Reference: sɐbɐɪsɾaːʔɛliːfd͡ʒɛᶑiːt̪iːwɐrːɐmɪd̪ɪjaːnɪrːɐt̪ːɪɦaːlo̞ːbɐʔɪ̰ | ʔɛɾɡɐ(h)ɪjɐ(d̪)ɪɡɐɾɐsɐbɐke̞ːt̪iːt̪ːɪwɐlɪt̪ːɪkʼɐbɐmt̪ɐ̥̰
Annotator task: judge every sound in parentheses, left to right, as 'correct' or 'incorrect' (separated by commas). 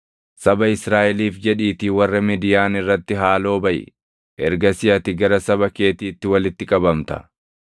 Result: incorrect, incorrect